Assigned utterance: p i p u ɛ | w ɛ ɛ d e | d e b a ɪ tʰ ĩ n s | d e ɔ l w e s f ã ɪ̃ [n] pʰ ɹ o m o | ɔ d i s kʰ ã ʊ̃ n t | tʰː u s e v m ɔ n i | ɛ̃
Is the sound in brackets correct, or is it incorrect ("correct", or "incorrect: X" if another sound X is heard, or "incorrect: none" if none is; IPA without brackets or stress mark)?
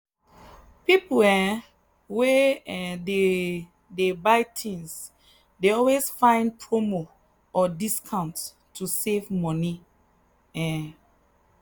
correct